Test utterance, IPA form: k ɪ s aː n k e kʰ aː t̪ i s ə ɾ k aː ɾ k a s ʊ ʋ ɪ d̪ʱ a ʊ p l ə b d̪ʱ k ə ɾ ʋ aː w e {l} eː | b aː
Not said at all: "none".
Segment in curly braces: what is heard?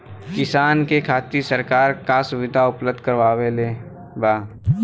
l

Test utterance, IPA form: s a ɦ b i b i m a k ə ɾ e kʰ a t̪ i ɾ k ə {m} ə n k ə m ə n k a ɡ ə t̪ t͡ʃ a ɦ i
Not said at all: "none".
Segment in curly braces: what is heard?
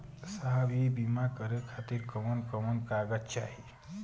m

